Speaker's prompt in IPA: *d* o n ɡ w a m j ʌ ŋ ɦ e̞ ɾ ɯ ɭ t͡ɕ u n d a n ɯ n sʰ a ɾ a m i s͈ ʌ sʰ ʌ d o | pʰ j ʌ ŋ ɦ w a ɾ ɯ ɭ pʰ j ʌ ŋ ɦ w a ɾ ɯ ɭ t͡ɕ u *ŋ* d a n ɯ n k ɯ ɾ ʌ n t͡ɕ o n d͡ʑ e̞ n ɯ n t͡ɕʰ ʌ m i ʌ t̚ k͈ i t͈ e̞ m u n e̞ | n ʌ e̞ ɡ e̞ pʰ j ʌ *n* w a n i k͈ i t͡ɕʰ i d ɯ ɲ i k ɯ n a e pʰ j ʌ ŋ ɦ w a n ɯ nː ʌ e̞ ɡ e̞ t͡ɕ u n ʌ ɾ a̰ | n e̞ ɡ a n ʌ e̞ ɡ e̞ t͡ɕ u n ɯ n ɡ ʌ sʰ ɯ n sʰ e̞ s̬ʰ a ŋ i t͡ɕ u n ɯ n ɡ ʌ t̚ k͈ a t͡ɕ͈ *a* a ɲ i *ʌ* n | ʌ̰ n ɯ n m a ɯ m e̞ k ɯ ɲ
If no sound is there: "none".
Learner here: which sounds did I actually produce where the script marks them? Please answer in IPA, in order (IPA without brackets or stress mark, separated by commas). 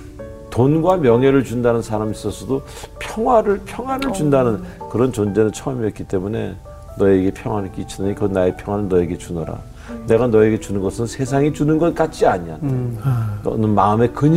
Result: t, n, ŋ, i, a